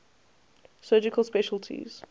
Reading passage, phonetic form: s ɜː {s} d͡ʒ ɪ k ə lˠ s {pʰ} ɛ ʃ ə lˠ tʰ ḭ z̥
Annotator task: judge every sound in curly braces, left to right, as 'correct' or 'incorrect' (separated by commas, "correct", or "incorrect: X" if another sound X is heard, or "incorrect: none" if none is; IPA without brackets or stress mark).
incorrect: none, incorrect: p